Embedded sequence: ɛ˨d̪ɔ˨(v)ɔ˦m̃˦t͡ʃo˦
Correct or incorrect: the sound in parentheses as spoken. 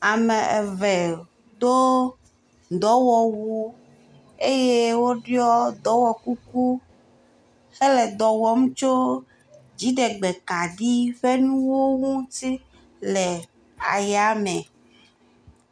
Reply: incorrect: w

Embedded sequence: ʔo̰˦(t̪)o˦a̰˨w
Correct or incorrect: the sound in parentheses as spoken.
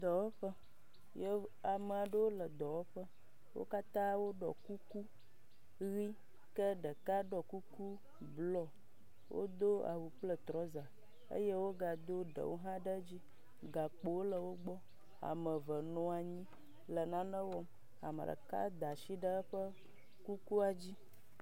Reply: incorrect: d̪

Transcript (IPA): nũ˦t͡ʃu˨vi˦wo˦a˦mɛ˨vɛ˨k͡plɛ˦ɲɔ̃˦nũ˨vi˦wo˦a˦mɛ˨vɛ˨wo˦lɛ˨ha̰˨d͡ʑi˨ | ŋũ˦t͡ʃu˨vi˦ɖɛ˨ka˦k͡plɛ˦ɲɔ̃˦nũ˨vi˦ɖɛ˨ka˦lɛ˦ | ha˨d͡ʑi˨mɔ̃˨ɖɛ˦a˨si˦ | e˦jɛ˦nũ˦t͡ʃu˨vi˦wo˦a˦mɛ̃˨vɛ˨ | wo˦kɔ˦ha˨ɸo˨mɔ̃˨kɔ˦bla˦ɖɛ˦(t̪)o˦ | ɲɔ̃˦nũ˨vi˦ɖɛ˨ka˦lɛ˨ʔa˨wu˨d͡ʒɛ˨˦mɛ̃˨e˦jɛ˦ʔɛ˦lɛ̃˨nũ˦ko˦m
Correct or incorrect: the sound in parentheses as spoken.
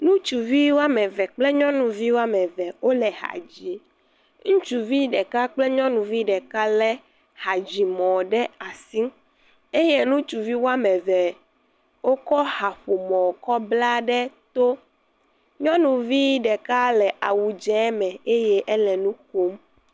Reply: correct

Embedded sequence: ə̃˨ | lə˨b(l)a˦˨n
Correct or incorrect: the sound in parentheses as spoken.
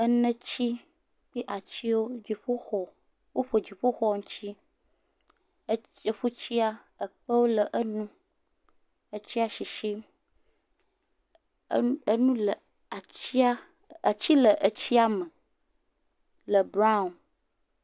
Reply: incorrect: ɾ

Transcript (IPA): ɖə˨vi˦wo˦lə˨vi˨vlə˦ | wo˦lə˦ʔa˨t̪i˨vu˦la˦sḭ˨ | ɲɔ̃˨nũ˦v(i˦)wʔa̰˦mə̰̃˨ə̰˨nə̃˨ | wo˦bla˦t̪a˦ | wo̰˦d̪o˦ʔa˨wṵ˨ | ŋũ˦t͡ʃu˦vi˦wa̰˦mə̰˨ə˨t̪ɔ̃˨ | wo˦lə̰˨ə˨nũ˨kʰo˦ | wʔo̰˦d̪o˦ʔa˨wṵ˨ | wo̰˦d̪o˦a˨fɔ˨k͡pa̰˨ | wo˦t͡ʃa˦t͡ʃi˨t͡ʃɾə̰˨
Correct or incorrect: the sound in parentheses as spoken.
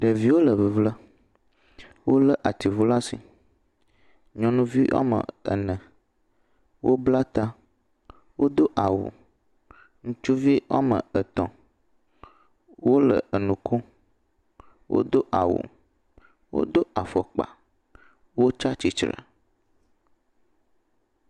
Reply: correct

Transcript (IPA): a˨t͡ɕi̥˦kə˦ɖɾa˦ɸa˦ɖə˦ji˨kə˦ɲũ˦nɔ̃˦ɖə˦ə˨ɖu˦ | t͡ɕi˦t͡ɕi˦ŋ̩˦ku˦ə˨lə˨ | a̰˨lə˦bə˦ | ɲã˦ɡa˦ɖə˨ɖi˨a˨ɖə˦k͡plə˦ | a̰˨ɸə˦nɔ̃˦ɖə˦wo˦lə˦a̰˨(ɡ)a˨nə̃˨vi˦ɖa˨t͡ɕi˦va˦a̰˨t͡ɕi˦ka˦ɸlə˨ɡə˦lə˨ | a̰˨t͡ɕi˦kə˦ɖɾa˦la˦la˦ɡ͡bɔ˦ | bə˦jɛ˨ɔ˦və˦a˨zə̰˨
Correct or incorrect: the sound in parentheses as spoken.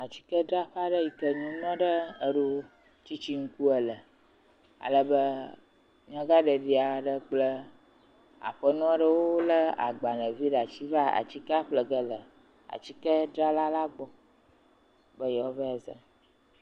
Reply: incorrect: ɡ͡b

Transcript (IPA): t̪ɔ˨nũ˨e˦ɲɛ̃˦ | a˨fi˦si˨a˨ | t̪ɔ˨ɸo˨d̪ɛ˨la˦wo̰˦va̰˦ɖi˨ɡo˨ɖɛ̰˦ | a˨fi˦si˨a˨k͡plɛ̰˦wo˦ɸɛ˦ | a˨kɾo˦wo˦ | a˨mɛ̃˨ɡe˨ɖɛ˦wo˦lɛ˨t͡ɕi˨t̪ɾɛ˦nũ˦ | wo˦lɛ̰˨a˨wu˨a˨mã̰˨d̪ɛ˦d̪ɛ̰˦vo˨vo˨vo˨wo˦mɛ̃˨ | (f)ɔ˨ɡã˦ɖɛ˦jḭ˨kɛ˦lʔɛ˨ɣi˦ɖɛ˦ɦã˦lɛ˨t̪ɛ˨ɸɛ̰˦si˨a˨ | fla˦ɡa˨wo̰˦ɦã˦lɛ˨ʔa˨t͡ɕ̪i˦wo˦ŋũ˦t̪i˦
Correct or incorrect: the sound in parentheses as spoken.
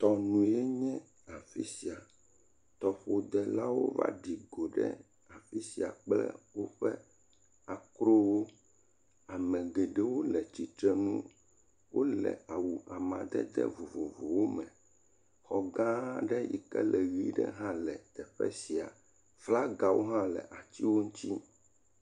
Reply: incorrect: x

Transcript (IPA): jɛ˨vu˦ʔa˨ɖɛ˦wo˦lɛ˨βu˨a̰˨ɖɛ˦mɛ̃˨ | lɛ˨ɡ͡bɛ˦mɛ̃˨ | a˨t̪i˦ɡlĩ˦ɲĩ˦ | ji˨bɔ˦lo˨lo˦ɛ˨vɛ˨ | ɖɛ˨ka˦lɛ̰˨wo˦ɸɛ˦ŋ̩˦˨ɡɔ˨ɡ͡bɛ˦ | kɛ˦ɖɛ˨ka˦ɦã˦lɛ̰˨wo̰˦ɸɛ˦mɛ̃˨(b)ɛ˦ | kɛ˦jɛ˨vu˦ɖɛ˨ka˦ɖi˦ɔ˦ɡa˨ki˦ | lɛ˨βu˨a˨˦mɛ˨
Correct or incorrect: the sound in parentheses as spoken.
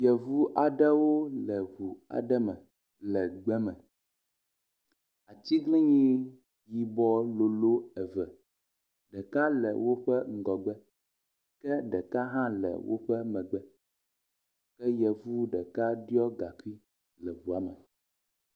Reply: incorrect: ɡ͡b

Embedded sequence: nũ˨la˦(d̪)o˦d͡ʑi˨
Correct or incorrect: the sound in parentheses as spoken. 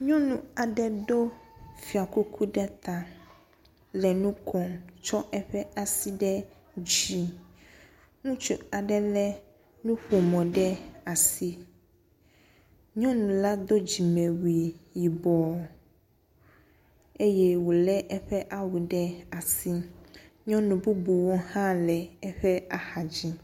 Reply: correct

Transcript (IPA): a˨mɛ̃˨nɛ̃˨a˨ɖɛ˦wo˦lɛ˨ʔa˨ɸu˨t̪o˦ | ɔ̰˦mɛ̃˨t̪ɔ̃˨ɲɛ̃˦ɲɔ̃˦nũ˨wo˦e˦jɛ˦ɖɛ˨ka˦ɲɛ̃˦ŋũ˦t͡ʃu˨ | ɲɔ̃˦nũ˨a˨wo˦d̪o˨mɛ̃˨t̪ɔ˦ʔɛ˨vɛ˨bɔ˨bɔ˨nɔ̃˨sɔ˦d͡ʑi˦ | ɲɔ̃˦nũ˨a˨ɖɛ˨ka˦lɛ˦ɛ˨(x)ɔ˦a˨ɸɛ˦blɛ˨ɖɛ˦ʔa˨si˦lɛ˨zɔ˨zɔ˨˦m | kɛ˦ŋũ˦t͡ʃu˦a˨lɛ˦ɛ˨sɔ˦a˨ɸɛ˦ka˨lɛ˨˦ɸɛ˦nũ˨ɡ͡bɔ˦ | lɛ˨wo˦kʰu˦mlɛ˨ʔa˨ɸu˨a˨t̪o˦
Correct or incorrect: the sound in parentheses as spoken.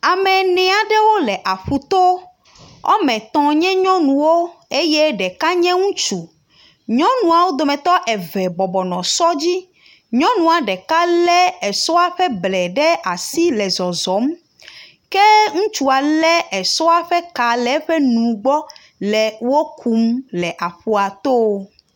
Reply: incorrect: s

